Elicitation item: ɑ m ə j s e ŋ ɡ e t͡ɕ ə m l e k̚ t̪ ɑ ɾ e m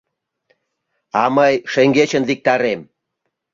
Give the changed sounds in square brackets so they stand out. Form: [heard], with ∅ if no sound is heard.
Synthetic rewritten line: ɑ m ə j [ʃ] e ŋ ɡ e t͡ɕ ə [n] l [i] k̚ t̪ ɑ ɾ e m